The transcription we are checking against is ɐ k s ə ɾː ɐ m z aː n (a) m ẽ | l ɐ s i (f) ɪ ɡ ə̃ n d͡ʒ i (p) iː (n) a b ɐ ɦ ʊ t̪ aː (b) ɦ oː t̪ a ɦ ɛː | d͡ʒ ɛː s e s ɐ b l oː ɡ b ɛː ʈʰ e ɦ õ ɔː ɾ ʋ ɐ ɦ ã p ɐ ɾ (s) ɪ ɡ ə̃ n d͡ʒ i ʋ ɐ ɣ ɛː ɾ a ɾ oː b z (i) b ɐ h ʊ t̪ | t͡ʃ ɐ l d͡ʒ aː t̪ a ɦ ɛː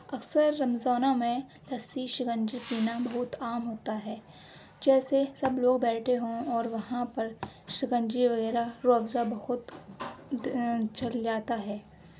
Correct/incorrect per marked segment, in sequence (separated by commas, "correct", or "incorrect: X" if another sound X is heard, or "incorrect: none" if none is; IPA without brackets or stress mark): correct, incorrect: ʃ, correct, correct, incorrect: m, incorrect: ʃ, incorrect: a